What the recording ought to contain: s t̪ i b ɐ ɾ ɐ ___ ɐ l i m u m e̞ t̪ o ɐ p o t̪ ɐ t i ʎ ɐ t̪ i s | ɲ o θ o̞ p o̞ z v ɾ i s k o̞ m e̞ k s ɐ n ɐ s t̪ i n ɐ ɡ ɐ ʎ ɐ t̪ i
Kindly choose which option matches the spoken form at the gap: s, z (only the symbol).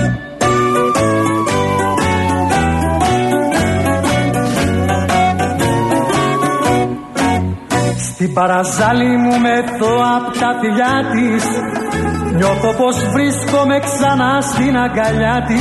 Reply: z